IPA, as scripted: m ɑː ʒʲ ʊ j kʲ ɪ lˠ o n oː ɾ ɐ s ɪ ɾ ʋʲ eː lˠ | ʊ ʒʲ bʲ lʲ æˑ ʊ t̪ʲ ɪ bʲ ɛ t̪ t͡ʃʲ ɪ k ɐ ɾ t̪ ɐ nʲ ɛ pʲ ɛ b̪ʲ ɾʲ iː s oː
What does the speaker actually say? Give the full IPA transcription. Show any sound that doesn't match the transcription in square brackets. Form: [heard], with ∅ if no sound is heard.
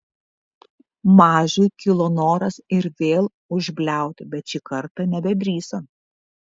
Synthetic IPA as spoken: m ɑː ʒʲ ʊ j kʲ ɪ lˠ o n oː ɾ ɐ s ɪ ɾ ʋʲ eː lˠ | ʊ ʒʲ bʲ lʲ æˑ ʊ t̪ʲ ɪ bʲ ɛ t̪ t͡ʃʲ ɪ k ɐ ɾ t̪ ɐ nʲ ɛ [bʲ] ɛ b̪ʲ ɾʲ iː s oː